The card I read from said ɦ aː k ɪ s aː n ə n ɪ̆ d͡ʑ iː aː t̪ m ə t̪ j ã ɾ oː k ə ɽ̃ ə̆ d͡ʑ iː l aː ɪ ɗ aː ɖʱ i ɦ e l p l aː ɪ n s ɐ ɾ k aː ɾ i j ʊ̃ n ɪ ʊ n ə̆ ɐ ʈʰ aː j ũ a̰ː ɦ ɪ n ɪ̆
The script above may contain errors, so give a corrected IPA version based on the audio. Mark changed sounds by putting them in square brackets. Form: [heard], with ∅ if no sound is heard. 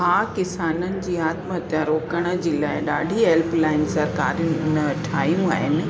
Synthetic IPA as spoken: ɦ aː k ɪ s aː n ə n ɪ̆ d͡ʑ iː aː t̪ m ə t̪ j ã ɾ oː k ə ɽ̃ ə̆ d͡ʑ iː l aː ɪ ɗ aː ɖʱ i ɦ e l p l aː ɪ n s ɐ ɾ k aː ɾ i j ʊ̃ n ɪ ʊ n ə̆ ɐ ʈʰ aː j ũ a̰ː ɦ ɪ n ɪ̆

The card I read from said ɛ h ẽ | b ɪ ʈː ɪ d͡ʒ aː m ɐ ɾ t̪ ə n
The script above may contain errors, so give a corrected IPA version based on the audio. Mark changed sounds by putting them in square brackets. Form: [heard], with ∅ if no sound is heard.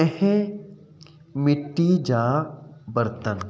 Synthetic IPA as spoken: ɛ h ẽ | [m] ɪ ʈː [i] d͡ʒ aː [b] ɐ ɾ t̪ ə n

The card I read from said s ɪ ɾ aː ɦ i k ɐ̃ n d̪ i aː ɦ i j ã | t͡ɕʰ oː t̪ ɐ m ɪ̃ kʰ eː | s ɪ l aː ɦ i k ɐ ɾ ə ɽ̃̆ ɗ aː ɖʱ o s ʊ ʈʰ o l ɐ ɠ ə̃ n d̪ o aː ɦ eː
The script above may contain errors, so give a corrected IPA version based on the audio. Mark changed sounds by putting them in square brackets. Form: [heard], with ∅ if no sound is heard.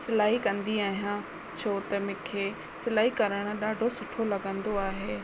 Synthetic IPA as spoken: s ɪ [l] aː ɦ i k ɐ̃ n d̪ i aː ɦ i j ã | t͡ɕʰ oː t̪ ɐ m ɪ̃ kʰ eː | s ɪ l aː ɦ i k ɐ ɾ ə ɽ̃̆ ɗ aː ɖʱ o s ʊ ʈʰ o l ɐ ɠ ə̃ n d̪ o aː ɦ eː

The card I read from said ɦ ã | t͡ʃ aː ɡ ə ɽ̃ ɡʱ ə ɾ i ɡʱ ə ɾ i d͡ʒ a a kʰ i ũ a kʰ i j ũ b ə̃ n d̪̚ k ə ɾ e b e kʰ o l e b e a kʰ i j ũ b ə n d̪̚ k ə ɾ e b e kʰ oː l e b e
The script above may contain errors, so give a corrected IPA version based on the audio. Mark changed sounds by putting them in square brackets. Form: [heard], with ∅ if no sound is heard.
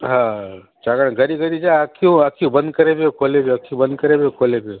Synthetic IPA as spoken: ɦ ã | t͡ʃ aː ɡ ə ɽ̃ ɡʱ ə ɾ i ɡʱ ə ɾ i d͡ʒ a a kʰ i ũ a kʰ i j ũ b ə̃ n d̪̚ k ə ɾ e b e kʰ o l e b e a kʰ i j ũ b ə n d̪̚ k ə ɾ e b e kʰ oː l e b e

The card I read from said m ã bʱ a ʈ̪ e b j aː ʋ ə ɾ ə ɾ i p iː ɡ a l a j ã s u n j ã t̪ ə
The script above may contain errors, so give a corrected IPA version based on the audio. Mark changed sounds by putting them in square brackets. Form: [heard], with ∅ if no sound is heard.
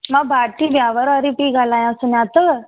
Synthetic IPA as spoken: m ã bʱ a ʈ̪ [i] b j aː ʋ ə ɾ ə ɾ i p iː ɡ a l a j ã s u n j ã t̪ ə

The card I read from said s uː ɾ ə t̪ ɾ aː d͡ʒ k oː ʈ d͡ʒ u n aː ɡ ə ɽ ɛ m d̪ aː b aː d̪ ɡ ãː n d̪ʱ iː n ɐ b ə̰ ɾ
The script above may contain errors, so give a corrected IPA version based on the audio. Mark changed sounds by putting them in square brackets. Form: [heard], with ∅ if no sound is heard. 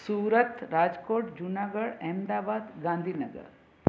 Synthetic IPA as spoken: s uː ɾ ə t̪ ɾ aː d͡ʒ k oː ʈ d͡ʒ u n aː ɡ ə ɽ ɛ m d̪ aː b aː d̪ ɡ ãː n d̪ʱ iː n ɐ [ɡ] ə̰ ɾ

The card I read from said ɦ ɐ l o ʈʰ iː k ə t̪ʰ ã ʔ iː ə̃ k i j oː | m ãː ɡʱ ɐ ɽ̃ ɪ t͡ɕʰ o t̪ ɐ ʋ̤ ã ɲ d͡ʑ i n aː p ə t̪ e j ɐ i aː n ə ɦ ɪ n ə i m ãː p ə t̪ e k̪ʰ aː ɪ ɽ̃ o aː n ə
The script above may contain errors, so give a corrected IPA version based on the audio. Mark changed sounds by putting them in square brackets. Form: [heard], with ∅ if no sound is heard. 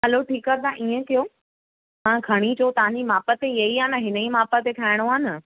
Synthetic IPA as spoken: ɦ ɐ l o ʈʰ iː k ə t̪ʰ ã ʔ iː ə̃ k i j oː | m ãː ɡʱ ɐ ɽ̃ [i] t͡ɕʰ o t̪ ɐ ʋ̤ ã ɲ d͡ʑ i [m] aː p ə t̪ e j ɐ i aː n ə ɦ ɪ n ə i m [aː] p ə t̪ e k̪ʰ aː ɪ ɽ̃ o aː n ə

